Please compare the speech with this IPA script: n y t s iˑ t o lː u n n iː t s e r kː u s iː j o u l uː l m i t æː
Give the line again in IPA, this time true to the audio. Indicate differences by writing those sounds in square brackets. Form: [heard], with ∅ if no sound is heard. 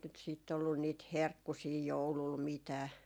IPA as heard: n y t s iˑ t o lː u n n iː t [h] e r kː u s iː j o u l [u] l m i t æː